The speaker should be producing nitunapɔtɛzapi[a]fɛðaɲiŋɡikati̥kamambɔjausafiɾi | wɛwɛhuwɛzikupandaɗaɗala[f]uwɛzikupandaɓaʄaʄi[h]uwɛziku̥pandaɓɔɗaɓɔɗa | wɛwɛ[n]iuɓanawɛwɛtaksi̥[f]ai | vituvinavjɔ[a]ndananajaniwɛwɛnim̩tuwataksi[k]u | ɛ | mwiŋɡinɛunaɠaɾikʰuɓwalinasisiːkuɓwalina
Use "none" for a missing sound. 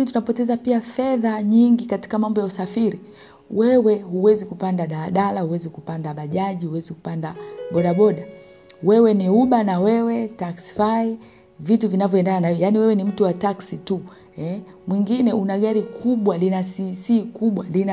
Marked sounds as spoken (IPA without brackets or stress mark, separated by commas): a, h, h, n, f, ɛ, t